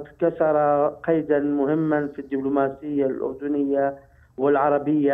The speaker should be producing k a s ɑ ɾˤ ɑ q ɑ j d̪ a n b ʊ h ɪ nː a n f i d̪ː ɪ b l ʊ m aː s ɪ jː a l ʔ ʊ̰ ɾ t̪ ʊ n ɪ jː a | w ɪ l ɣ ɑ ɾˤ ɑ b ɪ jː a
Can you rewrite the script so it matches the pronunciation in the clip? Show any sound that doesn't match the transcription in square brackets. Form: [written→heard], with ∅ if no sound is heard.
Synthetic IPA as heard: k a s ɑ ɾˤ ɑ q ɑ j d̪ a n [b→m] ʊ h ɪ [nː→mː] a n f i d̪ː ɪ b l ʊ m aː s ɪ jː a l ʔ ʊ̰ ɾ [t̪→d̪] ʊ n ɪ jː a | w ɪ l [ɣ→ʕ] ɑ ɾˤ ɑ b ɪ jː a